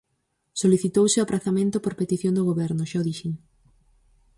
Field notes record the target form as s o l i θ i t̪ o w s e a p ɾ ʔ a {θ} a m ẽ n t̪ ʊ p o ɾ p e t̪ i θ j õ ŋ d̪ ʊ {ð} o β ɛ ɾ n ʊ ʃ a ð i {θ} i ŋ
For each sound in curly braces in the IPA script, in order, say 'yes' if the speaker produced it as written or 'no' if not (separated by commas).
yes, no, no